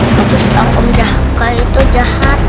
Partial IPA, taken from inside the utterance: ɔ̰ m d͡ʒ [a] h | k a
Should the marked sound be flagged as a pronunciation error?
no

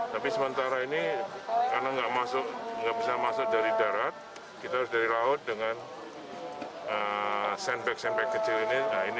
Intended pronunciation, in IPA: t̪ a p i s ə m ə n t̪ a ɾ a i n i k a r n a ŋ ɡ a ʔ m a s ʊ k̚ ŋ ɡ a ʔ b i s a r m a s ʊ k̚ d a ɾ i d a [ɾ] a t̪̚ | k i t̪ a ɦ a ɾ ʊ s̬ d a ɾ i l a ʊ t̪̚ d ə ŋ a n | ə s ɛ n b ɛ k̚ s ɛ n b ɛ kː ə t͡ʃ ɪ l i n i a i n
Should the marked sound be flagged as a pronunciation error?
no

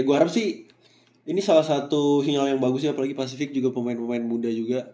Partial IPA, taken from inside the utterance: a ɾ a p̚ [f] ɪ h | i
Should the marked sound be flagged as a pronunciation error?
yes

